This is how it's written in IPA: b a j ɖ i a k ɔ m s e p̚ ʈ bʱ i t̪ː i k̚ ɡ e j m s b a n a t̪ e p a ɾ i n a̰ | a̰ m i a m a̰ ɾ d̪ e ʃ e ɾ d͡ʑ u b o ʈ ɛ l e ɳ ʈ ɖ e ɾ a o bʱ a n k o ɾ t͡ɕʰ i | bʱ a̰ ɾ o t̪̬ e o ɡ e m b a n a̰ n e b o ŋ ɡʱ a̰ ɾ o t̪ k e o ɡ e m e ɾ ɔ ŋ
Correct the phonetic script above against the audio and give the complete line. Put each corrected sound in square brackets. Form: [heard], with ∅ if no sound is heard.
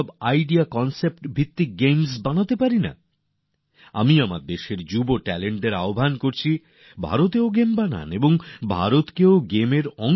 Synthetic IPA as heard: b a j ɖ i a k ɔ [n] s e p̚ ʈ bʱ i t̪ː i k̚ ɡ e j m s b a n a t̪ e p a ɾ i n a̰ | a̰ m i a m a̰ ɾ d̪ e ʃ e ɾ d͡ʑ u b o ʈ ɛ l e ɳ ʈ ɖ e ɾ a o bʱ a n k o ɾ t͡ɕʰ i | bʱ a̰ ɾ o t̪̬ e o ɡ e m b a n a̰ n e b o ŋ [bʱ] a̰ ɾ o t̪ k e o ɡ e m e ɾ ɔ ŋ